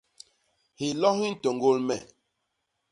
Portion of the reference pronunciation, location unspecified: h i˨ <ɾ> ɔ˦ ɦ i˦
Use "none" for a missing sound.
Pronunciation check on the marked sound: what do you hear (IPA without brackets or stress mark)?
l